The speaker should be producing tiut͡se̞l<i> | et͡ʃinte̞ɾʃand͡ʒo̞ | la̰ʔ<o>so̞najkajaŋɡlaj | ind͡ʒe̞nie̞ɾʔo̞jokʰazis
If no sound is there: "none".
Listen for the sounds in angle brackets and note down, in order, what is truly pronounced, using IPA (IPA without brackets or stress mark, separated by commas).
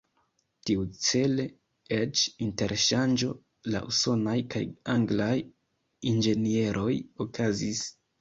e, u